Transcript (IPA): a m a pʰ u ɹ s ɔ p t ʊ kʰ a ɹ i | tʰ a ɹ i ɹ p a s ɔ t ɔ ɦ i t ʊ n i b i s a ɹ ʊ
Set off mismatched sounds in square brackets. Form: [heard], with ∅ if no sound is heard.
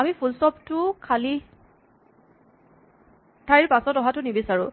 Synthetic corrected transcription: a m [i] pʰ u [l] s ɔ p t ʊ kʰ a [l] i | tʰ a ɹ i ɹ p a s ɔ t ɔ ɦ [a] t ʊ n i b i s a ɹ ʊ